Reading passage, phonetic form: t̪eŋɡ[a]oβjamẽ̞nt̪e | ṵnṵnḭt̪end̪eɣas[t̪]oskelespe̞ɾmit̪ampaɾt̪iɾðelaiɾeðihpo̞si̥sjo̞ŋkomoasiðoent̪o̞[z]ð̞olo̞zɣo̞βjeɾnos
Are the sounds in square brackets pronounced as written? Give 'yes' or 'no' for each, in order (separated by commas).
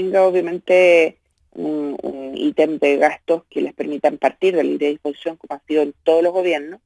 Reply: yes, yes, no